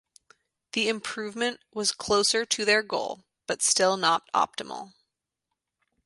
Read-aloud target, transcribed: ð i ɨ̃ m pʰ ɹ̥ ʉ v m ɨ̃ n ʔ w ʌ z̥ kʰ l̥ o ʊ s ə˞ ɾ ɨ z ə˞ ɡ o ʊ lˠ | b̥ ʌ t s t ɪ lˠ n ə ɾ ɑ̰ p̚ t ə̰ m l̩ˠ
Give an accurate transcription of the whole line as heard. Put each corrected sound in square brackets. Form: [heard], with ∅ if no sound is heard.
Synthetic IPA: ð i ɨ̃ m pʰ ɹ̥ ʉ v m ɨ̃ n ʔ w ʌ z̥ kʰ l̥ o ʊ s ə˞ ɾ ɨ [ð] ə˞ ɡ o ʊ lˠ | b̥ ʌ t s t ɪ lˠ n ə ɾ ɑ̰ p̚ t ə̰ m l̩ˠ